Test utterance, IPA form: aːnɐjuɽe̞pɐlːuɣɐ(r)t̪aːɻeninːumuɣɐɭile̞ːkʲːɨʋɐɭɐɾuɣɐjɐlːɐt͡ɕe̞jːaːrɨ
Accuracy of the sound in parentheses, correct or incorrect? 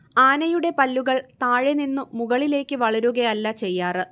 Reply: incorrect: ɭ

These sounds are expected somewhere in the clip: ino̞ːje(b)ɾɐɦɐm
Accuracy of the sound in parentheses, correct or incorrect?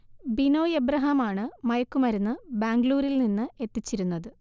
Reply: correct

